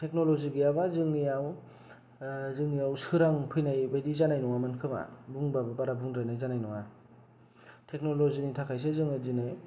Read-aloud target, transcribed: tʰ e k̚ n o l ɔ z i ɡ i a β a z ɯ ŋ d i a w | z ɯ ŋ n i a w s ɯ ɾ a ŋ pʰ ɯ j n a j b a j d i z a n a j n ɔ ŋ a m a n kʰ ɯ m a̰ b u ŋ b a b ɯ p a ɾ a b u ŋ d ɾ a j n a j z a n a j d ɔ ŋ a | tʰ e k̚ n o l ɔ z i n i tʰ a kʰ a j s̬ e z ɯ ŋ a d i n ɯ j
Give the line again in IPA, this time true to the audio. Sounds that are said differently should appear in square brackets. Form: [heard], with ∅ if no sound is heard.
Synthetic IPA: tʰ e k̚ n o l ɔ z i ɡ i a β a z ɯ ŋ [n] i a w | z ɯ ŋ n i a w s ɯ ɾ a ŋ pʰ ɯ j n a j b a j d i z a n a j n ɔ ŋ a m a n kʰ ɯ m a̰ b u ŋ b a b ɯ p a ɾ a b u ŋ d ɾ a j n a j z a n a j [n] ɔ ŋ a | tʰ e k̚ n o l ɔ z i n i tʰ a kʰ a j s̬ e z ɯ ŋ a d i n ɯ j